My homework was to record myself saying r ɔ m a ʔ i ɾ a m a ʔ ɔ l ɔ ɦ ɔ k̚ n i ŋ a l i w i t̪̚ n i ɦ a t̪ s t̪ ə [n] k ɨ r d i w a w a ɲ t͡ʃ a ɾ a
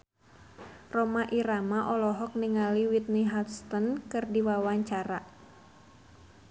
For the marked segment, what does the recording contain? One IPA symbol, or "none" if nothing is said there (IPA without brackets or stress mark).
n